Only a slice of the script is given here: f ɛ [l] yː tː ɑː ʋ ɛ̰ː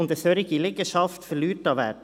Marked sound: correct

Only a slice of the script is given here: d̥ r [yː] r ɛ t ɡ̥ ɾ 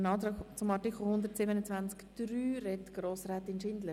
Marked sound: correct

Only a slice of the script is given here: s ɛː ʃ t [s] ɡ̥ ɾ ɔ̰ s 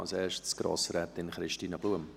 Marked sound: correct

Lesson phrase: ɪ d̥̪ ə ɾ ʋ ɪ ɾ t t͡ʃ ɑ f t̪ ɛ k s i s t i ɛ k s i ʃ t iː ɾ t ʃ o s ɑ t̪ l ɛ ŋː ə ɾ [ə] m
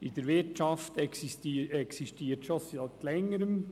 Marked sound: correct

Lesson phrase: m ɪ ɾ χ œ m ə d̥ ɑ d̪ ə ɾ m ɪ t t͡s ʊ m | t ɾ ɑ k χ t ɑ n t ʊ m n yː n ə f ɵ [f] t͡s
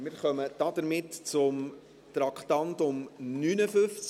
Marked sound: correct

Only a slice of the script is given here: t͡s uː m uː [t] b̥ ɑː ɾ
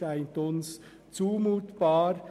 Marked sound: correct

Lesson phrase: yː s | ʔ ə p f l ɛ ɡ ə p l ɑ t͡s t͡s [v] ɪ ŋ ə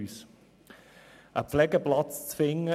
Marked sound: incorrect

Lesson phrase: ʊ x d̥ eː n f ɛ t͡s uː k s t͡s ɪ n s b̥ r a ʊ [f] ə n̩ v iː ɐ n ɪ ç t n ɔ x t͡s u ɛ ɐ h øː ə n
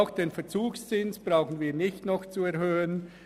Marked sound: incorrect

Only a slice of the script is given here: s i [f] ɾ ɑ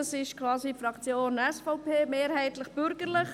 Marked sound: correct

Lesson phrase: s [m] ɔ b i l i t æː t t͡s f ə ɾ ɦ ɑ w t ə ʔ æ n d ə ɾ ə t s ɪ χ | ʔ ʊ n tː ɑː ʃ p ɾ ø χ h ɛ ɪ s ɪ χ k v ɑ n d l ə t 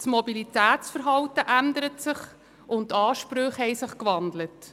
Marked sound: correct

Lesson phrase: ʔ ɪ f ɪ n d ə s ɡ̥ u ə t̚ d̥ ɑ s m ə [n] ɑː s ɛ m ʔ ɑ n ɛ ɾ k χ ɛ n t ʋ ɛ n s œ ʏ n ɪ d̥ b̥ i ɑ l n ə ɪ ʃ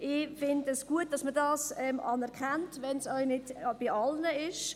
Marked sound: incorrect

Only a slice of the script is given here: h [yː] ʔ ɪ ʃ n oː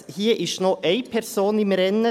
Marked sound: incorrect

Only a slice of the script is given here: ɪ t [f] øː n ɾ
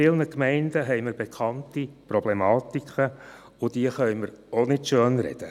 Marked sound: incorrect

